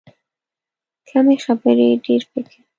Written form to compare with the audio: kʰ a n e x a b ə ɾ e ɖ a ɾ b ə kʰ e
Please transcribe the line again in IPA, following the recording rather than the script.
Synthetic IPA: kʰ a m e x a b ə ɾ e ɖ e ɾ p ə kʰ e